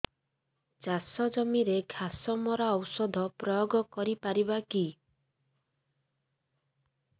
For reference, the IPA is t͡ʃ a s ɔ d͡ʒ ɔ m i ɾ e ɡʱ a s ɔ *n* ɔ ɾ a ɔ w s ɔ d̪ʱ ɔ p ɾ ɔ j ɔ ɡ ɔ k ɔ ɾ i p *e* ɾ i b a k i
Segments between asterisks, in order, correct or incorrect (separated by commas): incorrect, incorrect